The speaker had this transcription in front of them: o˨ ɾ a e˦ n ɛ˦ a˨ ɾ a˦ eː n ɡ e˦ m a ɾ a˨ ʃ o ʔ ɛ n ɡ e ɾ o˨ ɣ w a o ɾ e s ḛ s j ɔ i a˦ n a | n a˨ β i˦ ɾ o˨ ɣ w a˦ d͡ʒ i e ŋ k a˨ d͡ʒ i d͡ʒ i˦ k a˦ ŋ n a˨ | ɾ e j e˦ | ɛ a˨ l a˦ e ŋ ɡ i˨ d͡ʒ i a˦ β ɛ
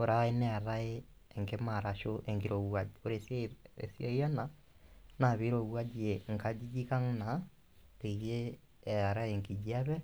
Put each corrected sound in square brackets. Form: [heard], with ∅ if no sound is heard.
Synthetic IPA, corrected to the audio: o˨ ɾ a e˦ n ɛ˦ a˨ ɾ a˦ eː [ŋ] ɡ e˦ m a ɾ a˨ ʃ o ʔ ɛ [ŋ] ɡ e ɾ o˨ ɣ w a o ɾ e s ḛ s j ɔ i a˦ n a | n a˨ β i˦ ɾ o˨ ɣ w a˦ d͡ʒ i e ŋ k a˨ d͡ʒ i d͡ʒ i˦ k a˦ ŋ n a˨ | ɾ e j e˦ | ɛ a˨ [ɾ] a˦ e ŋ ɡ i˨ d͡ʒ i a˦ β ɛ